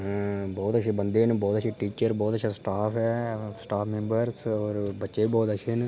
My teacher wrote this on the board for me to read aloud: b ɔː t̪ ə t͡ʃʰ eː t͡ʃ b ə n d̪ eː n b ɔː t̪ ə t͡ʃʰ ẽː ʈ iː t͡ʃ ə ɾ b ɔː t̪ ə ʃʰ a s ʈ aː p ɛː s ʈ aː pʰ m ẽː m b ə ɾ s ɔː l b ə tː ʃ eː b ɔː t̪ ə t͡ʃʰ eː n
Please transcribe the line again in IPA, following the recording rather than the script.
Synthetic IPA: b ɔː t̪ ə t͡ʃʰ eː b ə n d̪ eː n b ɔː t̪ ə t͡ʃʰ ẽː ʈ iː t͡ʃ ə ɾ b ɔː t̪ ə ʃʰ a s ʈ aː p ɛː s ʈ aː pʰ m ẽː m b ə ɾ s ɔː ɾ b ə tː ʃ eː b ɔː t̪ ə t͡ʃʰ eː n